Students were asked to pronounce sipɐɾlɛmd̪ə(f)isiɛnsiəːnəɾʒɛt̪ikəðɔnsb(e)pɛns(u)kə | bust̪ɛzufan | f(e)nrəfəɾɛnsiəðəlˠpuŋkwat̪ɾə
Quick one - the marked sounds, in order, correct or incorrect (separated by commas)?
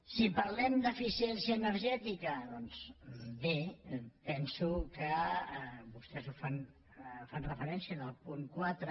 correct, correct, correct, incorrect